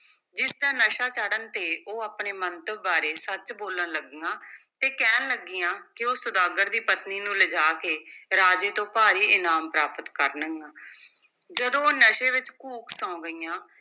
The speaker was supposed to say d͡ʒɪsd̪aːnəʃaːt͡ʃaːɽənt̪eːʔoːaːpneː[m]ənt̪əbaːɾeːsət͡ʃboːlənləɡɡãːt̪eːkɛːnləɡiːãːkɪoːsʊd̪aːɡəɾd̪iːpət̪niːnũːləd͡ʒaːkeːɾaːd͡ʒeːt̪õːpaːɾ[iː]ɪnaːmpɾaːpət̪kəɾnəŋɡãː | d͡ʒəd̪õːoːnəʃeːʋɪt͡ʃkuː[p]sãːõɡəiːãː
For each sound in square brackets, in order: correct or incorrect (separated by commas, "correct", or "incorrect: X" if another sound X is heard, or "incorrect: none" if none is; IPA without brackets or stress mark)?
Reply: correct, correct, incorrect: k